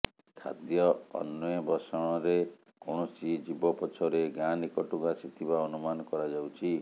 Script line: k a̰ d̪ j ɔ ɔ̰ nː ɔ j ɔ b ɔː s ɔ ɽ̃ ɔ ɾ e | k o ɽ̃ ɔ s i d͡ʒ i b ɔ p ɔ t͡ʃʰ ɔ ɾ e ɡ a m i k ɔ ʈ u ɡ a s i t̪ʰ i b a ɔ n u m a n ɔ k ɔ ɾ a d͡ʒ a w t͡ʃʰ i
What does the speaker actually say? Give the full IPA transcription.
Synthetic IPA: kʰ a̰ d̪ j ɔ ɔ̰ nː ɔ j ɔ b ɔ s ɔ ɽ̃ ɔ ɾ e | k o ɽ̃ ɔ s i d͡ʒ i b ɔ p ɔ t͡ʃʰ ɔ ɾ e ɡ a n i k ɔ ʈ u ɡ a s i t̪ʰ i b a ɔ n u m a n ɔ k ɔ ɾ a d͡ʒ a w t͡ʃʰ i